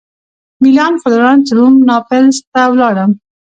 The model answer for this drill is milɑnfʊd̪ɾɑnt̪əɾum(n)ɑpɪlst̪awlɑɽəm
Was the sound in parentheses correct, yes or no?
yes